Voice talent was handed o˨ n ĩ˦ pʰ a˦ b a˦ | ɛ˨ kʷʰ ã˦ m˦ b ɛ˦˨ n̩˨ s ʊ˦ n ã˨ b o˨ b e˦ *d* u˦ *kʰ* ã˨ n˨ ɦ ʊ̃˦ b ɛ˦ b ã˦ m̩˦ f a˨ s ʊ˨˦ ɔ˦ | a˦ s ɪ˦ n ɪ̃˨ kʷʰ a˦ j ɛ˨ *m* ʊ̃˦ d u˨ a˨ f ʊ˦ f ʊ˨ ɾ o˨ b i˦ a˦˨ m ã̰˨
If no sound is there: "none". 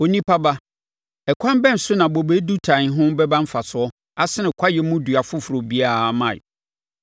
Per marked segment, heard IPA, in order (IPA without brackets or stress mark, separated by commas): d, tʰ, m